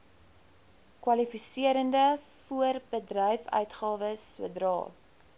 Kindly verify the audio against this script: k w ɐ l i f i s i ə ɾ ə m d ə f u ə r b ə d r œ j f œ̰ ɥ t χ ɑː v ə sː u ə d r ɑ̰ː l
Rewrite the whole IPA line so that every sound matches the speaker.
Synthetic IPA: k w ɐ l i f i s i ə ɾ ə n d ə f u ə r b ə d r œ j f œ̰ ɥ t χ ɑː v ə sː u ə d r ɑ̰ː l